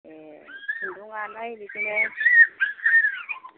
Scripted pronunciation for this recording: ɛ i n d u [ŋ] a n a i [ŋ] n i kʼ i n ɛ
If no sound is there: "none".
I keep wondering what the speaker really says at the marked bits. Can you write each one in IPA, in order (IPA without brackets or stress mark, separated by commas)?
ŋ, none